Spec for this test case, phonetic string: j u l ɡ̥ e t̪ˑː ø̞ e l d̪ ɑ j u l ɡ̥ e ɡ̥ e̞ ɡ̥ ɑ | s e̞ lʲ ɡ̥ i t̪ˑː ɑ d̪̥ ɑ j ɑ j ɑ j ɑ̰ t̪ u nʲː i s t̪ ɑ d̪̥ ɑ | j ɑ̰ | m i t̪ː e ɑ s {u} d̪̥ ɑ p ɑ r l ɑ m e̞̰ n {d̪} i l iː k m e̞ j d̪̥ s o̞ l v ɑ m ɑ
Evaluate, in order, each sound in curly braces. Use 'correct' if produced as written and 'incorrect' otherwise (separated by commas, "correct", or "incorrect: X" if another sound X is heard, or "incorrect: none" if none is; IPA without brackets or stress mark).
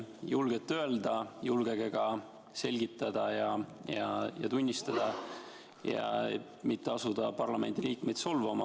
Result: correct, correct